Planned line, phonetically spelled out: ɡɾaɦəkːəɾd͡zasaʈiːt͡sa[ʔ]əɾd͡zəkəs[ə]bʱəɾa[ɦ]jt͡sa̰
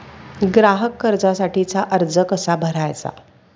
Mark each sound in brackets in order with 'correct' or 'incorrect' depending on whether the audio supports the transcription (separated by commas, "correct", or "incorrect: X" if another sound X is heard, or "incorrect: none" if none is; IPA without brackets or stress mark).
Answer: correct, incorrect: a, incorrect: none